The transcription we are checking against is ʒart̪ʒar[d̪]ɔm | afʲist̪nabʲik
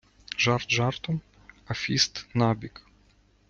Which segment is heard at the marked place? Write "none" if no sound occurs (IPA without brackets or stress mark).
t̪